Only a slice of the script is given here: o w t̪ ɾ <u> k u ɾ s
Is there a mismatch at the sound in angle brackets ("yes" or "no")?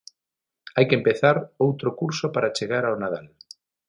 yes